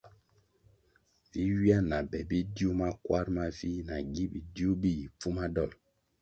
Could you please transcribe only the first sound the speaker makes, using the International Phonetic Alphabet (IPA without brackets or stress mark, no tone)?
v